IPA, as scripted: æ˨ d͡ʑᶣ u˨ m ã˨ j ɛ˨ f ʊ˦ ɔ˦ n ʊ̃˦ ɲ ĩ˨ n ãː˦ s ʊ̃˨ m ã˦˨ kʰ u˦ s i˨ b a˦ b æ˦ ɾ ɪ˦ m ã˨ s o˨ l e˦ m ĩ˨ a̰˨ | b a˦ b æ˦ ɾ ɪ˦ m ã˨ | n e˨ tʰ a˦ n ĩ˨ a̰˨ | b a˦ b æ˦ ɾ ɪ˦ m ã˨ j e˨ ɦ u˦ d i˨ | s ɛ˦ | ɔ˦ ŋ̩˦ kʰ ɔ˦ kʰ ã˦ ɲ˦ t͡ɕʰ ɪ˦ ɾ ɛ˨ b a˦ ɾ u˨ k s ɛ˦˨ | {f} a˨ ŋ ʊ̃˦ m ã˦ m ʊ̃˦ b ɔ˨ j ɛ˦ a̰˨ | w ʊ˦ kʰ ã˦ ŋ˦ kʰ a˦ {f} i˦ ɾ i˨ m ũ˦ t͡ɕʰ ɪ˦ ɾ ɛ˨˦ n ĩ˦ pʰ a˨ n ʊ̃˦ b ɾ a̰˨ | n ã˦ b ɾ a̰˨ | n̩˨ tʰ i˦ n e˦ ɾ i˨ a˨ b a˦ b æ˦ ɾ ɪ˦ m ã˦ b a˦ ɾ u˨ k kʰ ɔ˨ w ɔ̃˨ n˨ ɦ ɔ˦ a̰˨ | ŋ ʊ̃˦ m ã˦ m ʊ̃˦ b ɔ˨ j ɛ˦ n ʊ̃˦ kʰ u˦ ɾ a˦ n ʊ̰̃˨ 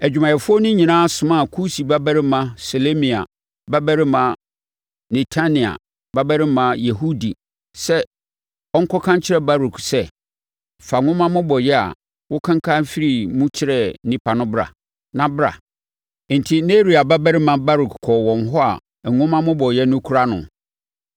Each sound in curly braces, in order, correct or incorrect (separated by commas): correct, correct